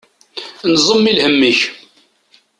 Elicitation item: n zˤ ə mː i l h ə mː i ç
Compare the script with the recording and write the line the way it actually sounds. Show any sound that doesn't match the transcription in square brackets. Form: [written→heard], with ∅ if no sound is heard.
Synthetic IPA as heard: n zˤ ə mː i l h ə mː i ç